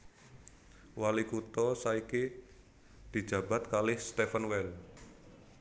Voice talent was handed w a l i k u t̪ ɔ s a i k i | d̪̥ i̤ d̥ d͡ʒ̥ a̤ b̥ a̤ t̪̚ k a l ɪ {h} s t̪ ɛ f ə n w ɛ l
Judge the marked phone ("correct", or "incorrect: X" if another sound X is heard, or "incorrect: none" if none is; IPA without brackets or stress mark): correct